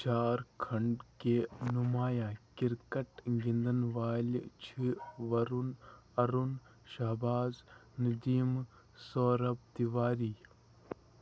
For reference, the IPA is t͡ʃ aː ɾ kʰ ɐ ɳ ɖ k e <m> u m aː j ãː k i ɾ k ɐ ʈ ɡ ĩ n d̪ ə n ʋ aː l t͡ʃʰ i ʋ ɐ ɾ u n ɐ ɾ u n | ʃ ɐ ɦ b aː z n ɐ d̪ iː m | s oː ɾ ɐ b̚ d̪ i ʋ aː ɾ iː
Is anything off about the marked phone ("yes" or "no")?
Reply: yes